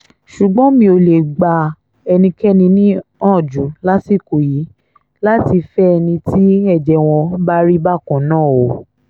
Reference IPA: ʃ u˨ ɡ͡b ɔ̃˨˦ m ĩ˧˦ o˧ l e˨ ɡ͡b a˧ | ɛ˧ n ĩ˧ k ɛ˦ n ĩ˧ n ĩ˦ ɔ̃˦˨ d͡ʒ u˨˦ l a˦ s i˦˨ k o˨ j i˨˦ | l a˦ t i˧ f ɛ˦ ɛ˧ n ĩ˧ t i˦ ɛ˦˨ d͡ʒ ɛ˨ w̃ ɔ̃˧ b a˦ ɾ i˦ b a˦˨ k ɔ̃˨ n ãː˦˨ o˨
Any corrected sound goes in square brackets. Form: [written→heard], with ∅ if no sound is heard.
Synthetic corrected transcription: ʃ u˨ ɡ͡b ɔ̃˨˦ m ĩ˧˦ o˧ l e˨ ɡ͡b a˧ | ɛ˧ n ĩ˧ k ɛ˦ n ĩ˧ n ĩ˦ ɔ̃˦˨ d͡ʒ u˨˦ l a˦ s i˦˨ k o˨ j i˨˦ | l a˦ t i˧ f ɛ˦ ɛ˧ n ĩ˧ t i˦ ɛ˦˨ d͡ʒ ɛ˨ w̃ ɔ̃˧ b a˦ ɾ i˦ b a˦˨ k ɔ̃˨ n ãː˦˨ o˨